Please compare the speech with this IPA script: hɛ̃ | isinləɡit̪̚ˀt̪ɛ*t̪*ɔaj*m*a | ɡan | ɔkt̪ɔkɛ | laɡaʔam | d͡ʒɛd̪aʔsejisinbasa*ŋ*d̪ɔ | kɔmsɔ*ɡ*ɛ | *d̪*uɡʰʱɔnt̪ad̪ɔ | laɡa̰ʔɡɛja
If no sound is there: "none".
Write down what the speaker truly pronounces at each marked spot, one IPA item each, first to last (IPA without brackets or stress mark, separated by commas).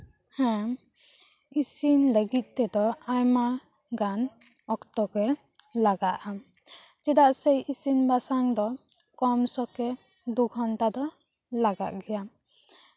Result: d̪, m, ŋ, k, d̪